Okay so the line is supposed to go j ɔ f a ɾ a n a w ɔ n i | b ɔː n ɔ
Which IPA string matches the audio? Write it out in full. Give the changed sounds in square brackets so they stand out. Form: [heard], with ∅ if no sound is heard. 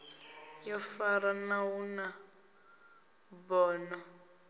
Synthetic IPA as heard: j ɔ f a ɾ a n a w [u] n [a] | b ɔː n ɔ